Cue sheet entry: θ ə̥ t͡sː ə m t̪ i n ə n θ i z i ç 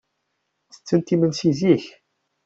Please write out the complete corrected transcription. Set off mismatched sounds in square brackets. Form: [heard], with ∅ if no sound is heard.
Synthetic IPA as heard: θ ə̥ t͡sː ə [n] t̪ i [m] ə n [s] i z i ç